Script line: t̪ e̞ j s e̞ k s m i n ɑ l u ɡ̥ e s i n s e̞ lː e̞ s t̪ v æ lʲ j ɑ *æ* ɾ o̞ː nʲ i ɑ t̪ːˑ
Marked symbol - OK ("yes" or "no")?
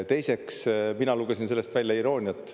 no